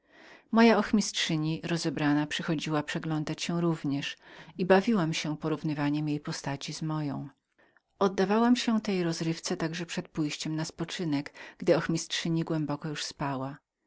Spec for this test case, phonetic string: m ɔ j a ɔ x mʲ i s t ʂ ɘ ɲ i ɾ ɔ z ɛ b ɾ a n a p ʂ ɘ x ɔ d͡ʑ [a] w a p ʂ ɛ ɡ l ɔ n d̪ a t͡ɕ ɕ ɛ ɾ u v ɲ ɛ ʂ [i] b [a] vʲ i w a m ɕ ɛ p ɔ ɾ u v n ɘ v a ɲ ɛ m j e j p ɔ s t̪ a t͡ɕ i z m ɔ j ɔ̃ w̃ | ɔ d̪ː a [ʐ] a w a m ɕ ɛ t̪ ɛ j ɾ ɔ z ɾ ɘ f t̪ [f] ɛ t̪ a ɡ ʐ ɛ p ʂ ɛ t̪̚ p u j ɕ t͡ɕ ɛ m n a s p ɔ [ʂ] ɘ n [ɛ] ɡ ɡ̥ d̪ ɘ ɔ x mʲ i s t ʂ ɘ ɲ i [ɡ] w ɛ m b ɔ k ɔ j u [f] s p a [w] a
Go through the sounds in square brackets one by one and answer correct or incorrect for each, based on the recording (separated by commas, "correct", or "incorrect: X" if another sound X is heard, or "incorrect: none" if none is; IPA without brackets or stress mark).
incorrect: i, correct, correct, incorrect: v, incorrect: s, incorrect: t͡ʂ, correct, correct, incorrect: ʂ, correct